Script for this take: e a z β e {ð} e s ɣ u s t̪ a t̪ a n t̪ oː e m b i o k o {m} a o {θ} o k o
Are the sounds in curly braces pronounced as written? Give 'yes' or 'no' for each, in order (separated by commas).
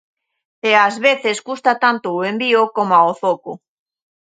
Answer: no, yes, yes